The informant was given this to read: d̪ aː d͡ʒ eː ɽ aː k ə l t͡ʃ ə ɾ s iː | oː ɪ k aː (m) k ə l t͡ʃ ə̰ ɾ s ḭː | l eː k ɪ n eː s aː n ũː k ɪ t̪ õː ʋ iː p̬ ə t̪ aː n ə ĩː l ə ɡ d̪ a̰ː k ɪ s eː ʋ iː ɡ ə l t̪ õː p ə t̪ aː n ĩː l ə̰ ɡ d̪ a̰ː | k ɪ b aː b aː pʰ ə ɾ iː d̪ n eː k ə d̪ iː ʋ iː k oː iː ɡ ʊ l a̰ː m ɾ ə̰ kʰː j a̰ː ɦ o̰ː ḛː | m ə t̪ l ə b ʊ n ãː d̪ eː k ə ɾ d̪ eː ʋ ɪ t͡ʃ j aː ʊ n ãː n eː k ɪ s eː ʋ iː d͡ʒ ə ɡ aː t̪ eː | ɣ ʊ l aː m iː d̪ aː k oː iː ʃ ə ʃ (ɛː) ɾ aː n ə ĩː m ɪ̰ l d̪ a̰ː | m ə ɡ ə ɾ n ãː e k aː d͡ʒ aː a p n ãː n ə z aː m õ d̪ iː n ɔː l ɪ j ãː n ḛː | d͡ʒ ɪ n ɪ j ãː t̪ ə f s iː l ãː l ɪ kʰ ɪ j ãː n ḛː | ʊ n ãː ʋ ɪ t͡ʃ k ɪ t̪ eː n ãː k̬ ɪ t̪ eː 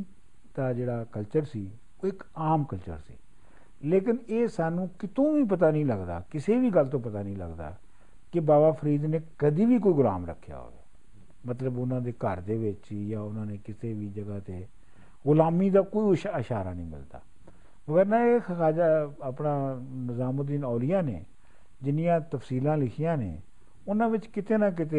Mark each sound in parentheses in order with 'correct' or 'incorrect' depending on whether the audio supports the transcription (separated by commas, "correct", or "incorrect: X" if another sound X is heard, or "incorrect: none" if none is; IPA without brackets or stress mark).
correct, incorrect: aː